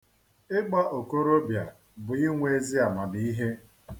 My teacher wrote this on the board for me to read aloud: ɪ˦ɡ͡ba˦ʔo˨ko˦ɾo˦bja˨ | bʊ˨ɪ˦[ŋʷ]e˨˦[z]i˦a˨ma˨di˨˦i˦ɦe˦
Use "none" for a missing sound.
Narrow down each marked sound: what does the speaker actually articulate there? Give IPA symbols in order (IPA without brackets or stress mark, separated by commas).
ŋʷ, z